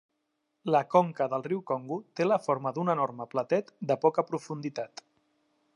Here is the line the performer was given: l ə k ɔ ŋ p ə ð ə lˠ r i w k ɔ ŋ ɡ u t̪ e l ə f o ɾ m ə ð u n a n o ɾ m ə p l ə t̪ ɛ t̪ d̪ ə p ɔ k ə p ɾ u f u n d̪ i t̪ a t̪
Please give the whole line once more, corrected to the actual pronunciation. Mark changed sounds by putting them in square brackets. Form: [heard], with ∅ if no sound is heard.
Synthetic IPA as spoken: l ə k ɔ ŋ [k] ə ð ə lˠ r i w k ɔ ŋ ɡ u t̪ e l ə f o ɾ m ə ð u n [ə] n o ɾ m ə p l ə t̪ ɛ t̪ d̪ ə p ɔ k ə p ɾ u f u n d̪ i t̪ a t̪